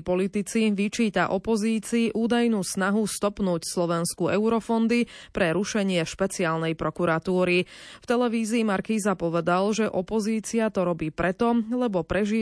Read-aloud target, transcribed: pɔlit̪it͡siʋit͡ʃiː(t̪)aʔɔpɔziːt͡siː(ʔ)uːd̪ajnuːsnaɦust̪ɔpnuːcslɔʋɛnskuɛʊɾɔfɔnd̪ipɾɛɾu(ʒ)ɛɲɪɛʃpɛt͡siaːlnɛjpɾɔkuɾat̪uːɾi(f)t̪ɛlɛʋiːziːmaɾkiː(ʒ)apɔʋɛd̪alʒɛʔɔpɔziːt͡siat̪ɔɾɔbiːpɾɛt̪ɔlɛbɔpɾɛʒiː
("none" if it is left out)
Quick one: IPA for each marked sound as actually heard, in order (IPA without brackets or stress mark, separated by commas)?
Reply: t̪, ʔ, ʃ, f, z